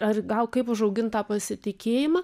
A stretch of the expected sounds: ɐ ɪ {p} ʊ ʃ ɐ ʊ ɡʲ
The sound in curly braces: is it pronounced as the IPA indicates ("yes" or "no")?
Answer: yes